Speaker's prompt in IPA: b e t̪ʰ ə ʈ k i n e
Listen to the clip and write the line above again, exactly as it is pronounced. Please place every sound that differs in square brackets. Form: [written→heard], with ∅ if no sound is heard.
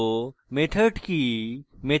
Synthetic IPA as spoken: [b→m] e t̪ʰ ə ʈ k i [n→m] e